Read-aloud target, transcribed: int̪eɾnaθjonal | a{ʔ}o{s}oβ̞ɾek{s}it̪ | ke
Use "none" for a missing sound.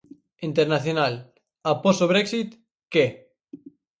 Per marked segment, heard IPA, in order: p, s, s

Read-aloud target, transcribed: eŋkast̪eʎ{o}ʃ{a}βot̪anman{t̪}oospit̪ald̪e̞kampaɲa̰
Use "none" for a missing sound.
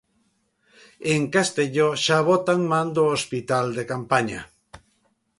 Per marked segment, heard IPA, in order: o, a, d̪

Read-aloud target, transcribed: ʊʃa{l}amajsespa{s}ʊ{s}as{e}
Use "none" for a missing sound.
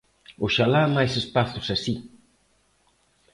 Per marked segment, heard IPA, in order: l, θ, s, i

